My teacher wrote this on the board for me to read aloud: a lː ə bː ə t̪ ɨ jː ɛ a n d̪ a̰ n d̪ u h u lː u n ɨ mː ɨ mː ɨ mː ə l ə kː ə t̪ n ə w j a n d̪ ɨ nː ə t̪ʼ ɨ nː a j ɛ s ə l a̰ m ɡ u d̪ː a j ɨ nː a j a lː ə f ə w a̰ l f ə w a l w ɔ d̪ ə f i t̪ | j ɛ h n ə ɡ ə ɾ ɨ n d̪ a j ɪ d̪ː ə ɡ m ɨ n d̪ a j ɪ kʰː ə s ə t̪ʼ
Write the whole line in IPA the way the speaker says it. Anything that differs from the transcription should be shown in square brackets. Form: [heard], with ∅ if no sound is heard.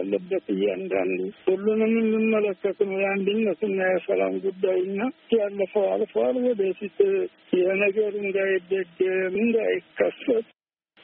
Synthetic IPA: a lː ə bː ə t̪ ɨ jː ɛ a n d̪ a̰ n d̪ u h u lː u n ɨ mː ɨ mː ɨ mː ə l ə kː ə t̪ n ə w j a n d̪ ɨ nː ə [t̪] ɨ nː a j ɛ s ə l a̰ m ɡ u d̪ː a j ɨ nː a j a lː ə f ə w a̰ l f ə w a l w ɔ d̪ ə f i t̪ | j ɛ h n ə ɡ ə ɾ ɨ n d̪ a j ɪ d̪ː ə ɡ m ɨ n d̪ a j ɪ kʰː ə s ə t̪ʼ